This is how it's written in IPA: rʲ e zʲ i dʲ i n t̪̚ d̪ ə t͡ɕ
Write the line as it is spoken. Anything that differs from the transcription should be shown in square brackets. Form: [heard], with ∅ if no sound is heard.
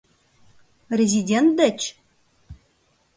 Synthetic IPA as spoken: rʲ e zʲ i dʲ [e] n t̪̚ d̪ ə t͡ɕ